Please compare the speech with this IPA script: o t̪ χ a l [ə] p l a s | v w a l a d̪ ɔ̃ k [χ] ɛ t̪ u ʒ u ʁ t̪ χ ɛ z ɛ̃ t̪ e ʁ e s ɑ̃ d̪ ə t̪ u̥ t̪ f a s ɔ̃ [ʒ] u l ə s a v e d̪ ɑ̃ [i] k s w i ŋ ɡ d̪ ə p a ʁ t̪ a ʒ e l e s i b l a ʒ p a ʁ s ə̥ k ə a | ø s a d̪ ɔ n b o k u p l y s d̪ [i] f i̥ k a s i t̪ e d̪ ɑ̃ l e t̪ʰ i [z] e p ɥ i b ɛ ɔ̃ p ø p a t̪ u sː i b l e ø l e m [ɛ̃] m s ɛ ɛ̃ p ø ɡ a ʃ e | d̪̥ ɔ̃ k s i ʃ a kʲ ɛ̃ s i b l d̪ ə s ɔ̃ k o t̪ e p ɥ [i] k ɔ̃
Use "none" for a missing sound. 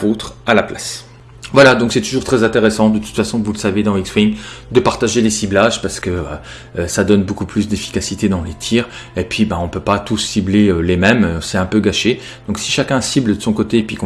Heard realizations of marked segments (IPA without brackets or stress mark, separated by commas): a, s, v, i, e, ʁ, ɛ, i